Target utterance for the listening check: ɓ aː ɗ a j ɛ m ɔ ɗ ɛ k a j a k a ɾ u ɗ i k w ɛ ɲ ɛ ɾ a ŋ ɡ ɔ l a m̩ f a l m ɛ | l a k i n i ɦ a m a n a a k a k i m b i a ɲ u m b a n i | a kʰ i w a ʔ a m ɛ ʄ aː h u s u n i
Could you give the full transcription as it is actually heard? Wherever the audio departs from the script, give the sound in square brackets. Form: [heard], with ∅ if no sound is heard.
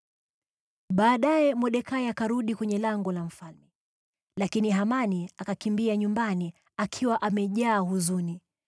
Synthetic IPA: ɓ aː ɗ a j ɛ m ɔ ɗ ɛ k a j a k a ɾ u ɗ i k w ɛ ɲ ɛ [l] a ŋ ɡ ɔ l a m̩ f a l m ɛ | l a k i n i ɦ a m a n [i] a k a k i m b i a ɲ u m b a n i | a kʰ i w a ʔ a m ɛ ʄ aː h u [z] u n i